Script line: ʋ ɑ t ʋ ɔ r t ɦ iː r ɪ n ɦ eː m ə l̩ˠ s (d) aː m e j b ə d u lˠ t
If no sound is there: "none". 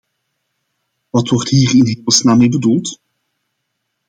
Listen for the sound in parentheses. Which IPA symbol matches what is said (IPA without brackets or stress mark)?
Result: n